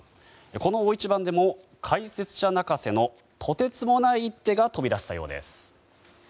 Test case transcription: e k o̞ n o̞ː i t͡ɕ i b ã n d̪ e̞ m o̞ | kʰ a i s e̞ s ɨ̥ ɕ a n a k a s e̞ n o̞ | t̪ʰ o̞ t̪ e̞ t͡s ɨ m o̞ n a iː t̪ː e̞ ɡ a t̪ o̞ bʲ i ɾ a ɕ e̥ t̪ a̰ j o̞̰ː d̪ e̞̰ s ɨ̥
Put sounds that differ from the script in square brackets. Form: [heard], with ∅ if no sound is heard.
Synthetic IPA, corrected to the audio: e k o̞ n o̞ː i t͡ɕ i b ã n d̪ e̞ m o̞ | kʰ a i s e̞ [t͡s] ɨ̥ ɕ a n a k a s e̞ n o̞ | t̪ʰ o̞ t̪ e̞ t͡s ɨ m o̞ n a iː t̪ː e̞ ɡ a t̪ o̞ bʲ i ɾ a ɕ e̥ t̪ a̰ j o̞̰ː d̪ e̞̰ s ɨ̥